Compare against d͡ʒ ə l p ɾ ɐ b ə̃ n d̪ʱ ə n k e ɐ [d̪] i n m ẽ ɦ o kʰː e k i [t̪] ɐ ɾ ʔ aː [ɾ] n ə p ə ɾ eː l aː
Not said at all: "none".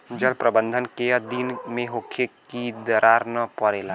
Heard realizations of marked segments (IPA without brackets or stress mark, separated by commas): d̪, d̪, ɾ